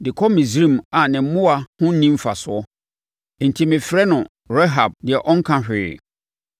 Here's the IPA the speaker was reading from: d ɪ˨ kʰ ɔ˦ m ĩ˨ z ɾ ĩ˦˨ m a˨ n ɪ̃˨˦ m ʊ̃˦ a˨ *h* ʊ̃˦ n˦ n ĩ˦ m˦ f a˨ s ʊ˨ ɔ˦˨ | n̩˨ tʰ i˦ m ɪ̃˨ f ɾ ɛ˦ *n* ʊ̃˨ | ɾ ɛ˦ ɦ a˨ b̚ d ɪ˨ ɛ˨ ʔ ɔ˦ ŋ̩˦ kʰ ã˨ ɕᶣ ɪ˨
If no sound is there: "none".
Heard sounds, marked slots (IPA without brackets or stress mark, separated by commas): h, n